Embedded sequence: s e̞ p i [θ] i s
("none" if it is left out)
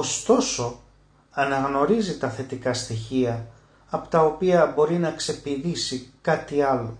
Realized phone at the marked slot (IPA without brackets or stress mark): ð